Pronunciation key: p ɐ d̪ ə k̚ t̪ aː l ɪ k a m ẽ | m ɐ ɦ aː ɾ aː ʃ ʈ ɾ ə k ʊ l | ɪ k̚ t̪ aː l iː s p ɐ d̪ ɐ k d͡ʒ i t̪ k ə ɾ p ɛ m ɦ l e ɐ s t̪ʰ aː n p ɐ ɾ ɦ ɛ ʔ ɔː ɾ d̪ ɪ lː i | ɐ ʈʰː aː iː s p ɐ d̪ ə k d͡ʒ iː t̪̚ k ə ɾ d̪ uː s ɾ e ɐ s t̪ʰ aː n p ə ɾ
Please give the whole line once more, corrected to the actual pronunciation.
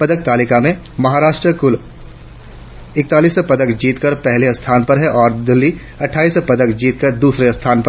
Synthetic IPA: p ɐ d̪ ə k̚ t̪ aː l ɪ k a m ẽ | m ɐ ɦ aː ɾ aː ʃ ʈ ɾ ə k ʊ l | ɪ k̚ t̪ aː l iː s p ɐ d̪ ə k d͡ʒ iː t̪ k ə ɾ p ɛ ɦ l e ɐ s t̪ʰ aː n p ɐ ɾ ɦ ɛ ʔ ɔː ɾ d̪ ɪ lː i | ɐ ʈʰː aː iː s p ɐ d̪ ə k d͡ʒ iː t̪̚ k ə ɾ d̪ uː s ɾ e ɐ s t̪ʰ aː n p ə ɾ

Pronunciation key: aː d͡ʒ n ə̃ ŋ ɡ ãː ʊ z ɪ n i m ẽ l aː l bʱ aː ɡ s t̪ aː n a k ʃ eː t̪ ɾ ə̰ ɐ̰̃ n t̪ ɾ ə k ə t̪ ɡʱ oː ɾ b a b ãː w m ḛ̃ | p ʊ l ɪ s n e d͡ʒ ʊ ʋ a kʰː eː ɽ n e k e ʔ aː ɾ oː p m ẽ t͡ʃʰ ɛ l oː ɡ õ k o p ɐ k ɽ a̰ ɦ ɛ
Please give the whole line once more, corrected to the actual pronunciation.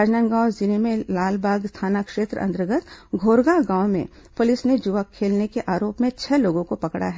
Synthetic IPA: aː d͡ʒ n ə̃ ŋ ɡ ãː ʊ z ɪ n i m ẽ l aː l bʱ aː ɡ s t̪ʰ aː n a k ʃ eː t̪ ɾ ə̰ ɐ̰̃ n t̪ ɾ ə ɡ ə t̪ ɡʱ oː ɾ ɡ a ɡ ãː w m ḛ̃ | p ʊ l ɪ s n e d͡ʒ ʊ ʋ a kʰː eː l n e k e ʔ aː ɾ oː p m ẽ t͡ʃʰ ɛ l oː ɡ õ k o p ɐ k ɽ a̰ ɦ ɛ

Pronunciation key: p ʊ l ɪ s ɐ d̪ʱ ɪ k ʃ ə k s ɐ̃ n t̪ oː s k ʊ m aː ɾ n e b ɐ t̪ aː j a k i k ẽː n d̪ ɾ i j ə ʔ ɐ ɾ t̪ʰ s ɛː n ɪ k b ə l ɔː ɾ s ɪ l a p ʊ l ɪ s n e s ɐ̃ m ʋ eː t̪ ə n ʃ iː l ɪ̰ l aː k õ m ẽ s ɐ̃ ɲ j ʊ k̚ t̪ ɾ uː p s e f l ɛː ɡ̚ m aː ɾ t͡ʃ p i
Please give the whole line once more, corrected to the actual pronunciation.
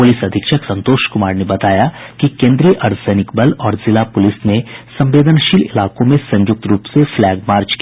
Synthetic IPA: p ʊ l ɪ s ɐ d̪ʱ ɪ k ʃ ə k s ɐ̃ n t̪ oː ʃ k ʊ m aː ɾ n e b ɐ t̪ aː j a k i k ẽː n d̪ ɾ i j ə ʔ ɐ ɾ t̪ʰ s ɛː n ɪ k b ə l ɔː ɾ z ɪ l a p ʊ l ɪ s n e s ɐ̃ m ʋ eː d̪ ə n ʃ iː l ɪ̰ l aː k õ m ẽ s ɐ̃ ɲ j ʊ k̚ t̪ ɾ uː p s e f l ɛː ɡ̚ m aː ɾ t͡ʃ k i

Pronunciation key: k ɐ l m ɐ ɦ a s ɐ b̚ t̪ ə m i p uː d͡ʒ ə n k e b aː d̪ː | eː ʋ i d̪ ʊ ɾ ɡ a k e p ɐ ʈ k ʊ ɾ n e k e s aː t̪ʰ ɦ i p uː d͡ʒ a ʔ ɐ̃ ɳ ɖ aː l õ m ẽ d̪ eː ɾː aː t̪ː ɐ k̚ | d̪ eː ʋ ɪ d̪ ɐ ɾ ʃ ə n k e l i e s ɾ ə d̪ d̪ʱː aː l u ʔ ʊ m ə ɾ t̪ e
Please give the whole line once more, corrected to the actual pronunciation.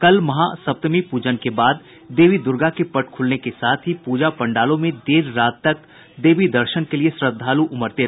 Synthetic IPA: k ɐ l m ɐ ɦ a s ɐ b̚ t̪ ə m i p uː d͡ʒ ə n k e b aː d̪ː | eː ʋ i d̪ ʊ ɾ ɡ a k e p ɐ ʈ kʰ ʊ l n e k e s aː t̪ʰ ɦ i p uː d͡ʒ a p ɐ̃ ɳ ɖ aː l õ m ẽ d̪ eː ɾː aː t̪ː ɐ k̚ | d̪ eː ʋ i d̪ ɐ ɾ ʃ ə n k e l i e s ɾ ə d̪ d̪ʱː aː l u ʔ ʊ m ə ɾ t̪ e

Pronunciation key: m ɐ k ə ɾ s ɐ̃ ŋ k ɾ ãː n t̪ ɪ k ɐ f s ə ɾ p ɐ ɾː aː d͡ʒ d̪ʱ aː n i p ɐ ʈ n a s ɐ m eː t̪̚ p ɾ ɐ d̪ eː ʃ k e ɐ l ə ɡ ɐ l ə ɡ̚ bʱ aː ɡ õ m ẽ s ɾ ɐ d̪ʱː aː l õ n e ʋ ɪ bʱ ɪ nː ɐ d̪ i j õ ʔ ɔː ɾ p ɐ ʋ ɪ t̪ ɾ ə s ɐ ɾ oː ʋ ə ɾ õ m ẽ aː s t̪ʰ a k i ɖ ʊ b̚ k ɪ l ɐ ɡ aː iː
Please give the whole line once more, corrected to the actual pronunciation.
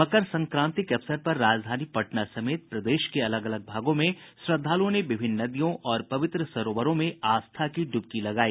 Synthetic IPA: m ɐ k ə ɾ s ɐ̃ ŋ k ɾ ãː n t̪ ɪ k ɐ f s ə ɾ p ɐ ɾː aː d͡ʒ d̪ʱ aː n i p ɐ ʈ n a s ɐ m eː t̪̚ p ɾ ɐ d̪ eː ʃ k e ɐ l ə ɡ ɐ l ə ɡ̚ bʱ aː ɡ õ m ẽ s ɾ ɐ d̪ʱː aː l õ n e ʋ ɪ bʱ ɪ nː ɐ d̪ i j õ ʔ ɔː ɾ p ɐ ʋ ɪ t̪ ɾ ə s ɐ ɾ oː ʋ ə ɾ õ m ẽ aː s t̪ʰ a k i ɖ ʊ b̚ k i l ɐ ɡ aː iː

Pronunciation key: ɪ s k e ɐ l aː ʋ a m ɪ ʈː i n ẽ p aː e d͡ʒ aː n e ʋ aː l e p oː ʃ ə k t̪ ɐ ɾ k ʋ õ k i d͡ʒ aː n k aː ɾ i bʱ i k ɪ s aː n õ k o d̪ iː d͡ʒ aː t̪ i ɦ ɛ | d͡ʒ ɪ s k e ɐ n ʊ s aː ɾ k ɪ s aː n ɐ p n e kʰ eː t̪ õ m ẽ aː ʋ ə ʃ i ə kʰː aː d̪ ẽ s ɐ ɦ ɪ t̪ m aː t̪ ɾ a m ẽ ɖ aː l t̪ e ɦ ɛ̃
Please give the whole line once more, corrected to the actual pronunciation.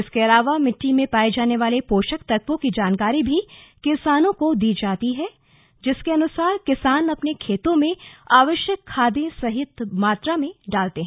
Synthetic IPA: ɪ s k e ɐ l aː ʋ a m ɪ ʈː i m ẽ p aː e d͡ʒ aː n e ʋ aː l e p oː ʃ ə k t̪ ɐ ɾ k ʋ õ k i d͡ʒ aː n k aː ɾ i bʱ i k ɪ s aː n õ k o d̪ iː d͡ʒ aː t̪ i ɦ ɛ | d͡ʒ ɪ s k e ɐ n ʊ s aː ɾ k ɪ s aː n ɐ p n e kʰ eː t̪ õ m ẽ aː ʋ ə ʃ j ə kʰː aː d̪ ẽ s ɐ ɦ ɪ t̪ m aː t̪ ɾ a m ẽ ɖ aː l t̪ e ɦ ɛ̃

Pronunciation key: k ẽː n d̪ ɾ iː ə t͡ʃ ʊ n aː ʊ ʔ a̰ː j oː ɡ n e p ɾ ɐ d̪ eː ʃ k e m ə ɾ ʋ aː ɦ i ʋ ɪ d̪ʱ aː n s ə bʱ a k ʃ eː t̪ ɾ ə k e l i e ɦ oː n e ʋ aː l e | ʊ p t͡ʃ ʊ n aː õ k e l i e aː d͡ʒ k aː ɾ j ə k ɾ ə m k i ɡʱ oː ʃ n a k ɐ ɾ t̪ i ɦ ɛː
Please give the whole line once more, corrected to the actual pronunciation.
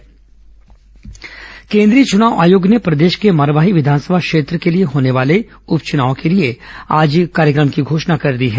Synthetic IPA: k ẽː n d̪ ɾ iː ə t͡ʃ ʊ n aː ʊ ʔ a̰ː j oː ɡ n e p ɾ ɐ d̪ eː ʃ k e m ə ɾ ʋ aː ɦ i ʋ ɪ d̪ʱ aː n s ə bʱ a k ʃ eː t̪ ɾ ə k e l i e ɦ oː n e ʋ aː l e | ʊ p t͡ʃ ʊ n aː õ k e l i e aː d͡ʒ k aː ɾ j ə k ɾ ə m k i ɡʱ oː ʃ n a k ɐ ɾ d̪ i ɦ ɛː

